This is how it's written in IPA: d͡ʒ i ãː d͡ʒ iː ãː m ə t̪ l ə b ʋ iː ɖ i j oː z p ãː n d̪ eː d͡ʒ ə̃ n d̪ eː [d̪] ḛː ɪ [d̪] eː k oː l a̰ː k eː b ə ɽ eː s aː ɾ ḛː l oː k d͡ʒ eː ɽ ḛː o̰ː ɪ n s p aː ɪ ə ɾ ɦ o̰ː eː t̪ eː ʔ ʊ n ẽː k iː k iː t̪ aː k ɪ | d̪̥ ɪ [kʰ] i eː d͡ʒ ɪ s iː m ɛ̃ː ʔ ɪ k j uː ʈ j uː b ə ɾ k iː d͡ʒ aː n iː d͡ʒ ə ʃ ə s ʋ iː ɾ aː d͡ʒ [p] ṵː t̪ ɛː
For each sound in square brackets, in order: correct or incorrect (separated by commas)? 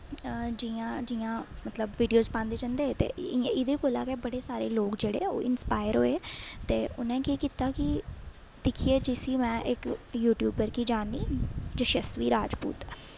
incorrect, correct, correct, correct